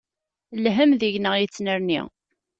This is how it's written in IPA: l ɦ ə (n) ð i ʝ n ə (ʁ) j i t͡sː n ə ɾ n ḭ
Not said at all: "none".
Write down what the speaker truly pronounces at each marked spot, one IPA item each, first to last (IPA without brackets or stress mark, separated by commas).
m, ʁ